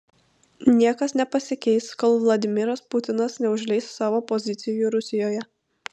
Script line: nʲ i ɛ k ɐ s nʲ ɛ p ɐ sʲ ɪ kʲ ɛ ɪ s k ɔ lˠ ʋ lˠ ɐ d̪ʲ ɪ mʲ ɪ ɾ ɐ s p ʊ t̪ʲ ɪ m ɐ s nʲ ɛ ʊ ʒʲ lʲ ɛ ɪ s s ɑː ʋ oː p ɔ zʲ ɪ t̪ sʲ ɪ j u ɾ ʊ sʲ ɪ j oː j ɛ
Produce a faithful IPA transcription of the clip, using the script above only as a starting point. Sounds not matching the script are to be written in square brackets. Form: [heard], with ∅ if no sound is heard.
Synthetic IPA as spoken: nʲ i ɛ k ɐ s nʲ ɛ p ɐ sʲ ɪ kʲ ɛ ɪ s k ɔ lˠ ʋ lˠ ɐ d̪ʲ ɪ mʲ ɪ ɾ ɐ s p ʊ t̪ʲ ɪ [n] ɐ s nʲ ɛ ʊ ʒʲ lʲ ɛ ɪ s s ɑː ʋ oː p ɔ zʲ ɪ t̪ sʲ ɪ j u ɾ ʊ sʲ ɪ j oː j ɛ